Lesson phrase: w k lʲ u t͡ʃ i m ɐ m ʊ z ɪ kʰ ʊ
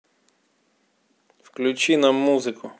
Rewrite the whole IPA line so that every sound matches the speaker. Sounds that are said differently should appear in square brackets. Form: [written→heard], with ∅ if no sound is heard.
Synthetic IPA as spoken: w k lʲ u t͡ʃ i [m→n] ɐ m [ʊ→u] z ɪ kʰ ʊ